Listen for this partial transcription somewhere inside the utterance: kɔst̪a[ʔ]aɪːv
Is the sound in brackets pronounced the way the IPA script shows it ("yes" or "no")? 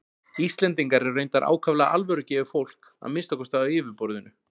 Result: no